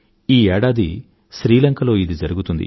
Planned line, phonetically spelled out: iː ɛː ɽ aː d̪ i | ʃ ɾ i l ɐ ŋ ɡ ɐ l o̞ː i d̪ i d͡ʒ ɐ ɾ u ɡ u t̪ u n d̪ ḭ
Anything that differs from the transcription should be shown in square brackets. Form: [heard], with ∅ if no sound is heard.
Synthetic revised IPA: iː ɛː ɽ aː d̪ i | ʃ ɾ [iː] l ɐ ŋ [k] ɐ l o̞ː i d̪ i d͡ʒ ɐ ɾ u ɡ u t̪ u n d̪ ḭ